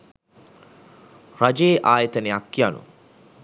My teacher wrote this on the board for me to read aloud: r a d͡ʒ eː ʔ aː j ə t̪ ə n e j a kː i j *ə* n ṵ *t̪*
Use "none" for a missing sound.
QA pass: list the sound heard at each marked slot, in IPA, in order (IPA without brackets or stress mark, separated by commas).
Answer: a, none